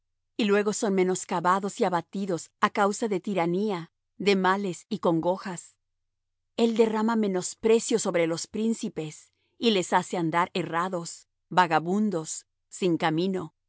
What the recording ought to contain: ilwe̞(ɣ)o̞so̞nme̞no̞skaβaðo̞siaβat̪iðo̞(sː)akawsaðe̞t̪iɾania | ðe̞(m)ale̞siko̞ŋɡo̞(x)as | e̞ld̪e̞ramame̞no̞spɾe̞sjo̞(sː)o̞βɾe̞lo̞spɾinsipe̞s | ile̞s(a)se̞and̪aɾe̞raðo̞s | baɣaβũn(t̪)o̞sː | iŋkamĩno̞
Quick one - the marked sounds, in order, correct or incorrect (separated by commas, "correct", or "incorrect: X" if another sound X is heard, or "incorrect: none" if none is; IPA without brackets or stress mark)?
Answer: correct, incorrect: s, correct, correct, incorrect: s, correct, incorrect: d̪